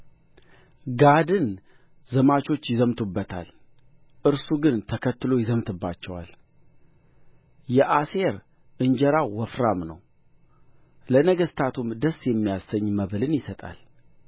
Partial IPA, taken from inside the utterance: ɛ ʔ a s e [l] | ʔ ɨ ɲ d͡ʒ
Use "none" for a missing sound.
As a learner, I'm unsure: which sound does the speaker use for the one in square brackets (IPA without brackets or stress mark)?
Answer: ɾ